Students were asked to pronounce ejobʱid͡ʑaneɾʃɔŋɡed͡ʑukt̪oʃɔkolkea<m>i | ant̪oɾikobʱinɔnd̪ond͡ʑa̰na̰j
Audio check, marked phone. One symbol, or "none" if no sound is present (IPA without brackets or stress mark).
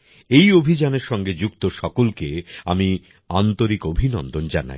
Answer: m